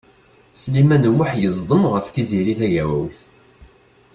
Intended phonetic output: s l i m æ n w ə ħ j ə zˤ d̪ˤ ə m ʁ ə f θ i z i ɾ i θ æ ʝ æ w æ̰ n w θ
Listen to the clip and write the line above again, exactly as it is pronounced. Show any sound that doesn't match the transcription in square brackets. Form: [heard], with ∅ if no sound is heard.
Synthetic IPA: s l i m æ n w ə ħ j ə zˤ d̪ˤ ə m ʁ ə f θ i z i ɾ i θ æ ʝ æ w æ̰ [∅] w θ